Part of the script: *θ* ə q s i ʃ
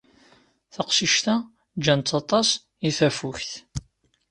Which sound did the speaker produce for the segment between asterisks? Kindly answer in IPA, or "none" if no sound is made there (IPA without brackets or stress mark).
θ